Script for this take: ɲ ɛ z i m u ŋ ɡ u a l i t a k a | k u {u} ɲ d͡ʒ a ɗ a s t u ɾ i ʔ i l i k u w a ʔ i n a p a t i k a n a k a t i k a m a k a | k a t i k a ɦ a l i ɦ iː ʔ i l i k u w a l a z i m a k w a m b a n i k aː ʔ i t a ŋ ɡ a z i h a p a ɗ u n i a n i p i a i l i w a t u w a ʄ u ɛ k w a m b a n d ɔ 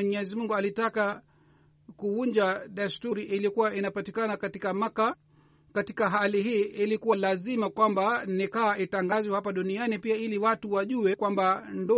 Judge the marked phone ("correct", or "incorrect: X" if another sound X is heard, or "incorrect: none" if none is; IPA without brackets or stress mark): correct